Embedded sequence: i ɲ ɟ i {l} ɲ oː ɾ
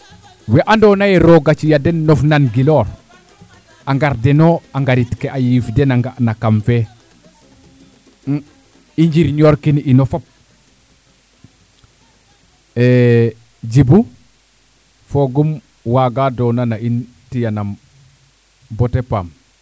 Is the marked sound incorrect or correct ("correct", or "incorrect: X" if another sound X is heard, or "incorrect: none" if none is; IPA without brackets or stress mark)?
incorrect: ɾ